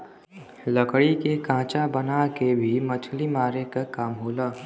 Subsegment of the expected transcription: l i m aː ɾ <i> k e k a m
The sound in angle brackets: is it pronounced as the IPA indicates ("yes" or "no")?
no